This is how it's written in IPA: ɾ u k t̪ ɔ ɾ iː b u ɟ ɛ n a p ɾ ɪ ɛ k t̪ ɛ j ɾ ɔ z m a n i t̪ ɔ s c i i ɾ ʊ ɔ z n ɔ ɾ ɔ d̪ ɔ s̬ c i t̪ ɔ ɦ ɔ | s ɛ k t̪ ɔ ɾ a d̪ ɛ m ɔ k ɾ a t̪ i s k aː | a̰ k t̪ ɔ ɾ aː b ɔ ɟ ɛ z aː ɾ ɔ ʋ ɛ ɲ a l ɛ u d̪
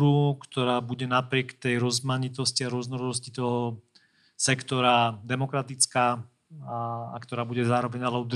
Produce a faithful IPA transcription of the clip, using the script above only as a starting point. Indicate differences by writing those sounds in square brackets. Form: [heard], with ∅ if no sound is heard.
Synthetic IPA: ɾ u k t̪ ɔ ɾ [aː] b u ɟ ɛ n a p ɾ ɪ ɛ k t̪ ɛ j ɾ ɔ z m a [ɲ] i t̪ ɔ s c i [a] ɾ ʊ ɔ z n ɔ ɾ ɔ d̪ ɔ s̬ c i t̪ ɔ ɦ ɔ | s ɛ k t̪ ɔ ɾ a d̪ ɛ m ɔ k ɾ a t̪ i [t͡s] k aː | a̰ k t̪ ɔ ɾ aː b [u] ɟ ɛ z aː ɾ ɔ ʋ ɛ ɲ a l ɛ u d̪